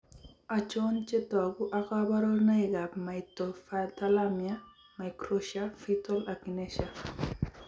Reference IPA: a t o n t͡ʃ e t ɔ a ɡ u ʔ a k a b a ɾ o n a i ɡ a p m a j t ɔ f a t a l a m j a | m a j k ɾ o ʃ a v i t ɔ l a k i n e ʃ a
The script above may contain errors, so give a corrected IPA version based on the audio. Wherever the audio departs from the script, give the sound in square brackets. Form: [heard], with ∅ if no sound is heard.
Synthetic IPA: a [t͡ʃ] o n t͡ʃ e t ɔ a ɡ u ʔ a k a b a ɾ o n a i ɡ a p m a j t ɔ f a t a l a m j a | m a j k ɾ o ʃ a [f] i t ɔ l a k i n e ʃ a